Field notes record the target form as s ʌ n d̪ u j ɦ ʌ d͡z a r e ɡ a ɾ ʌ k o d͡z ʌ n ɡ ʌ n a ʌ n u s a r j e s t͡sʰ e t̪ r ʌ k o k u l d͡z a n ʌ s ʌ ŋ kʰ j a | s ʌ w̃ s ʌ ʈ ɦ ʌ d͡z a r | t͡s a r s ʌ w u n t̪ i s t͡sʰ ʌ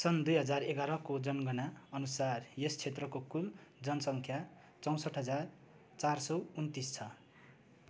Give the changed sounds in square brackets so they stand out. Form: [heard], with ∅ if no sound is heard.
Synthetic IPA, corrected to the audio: s ʌ n d̪ u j ɦ ʌ d͡z a r e ɡ a ɾ ʌ k o d͡z ʌ n ɡ ʌ n a ʌ n u s a r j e s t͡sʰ e t̪ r ʌ k o k u l d͡z [ʌ] n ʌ s ʌ ŋ kʰ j a | [t͡s] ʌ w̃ s ʌ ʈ ɦ ʌ d͡z a r | t͡s a r s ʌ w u n t̪ i s t͡sʰ ʌ